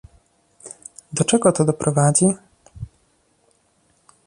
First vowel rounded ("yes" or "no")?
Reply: yes